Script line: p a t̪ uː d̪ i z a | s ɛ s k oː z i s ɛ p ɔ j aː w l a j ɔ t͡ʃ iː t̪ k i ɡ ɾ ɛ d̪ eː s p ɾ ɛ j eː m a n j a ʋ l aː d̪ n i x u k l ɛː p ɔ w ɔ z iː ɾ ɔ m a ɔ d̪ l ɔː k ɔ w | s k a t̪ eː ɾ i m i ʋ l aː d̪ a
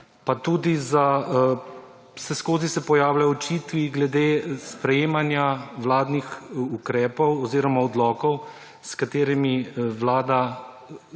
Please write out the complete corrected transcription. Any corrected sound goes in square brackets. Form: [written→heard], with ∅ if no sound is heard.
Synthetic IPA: p a t̪ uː d̪ i z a | s ɛ s k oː z i s ɛ p ɔ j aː w l a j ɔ t͡ʃ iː t̪ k i ɡ [ɾ→l] ɛ d̪ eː s p ɾ ɛ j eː m a n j a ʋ l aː d̪ n i x u k [l→ɾ] ɛː p ɔ w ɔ z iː ɾ ɔ m a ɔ d̪ l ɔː k ɔ w | s k a t̪ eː ɾ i m i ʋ l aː d̪ a